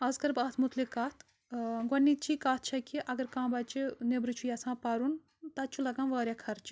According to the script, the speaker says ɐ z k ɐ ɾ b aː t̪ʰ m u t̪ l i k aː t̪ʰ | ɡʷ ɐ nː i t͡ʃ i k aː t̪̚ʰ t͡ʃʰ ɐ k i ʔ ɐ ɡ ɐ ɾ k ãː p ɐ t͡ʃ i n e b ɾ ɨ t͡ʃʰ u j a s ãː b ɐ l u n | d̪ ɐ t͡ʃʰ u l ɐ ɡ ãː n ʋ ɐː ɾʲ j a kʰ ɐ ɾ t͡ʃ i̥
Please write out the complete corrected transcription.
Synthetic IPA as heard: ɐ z k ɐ ɾ b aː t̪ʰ m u t̪ l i k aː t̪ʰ | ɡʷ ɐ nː i t͡ʃ i k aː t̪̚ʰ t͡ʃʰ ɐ k i ʔ ɐ ɡ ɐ ɾ k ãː b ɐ t͡ʃ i n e b ɾ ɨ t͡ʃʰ u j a s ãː p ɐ ɾ u n | t̪ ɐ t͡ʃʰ u l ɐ ɡ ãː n ʋ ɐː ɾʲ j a kʰ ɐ ɾ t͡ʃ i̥